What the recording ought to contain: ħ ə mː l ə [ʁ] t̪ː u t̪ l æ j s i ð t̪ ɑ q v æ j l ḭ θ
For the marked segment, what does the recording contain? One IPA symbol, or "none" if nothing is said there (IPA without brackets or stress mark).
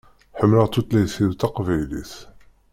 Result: ʁ